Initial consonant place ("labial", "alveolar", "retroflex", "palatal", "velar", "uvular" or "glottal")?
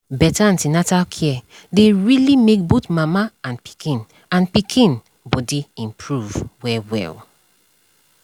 labial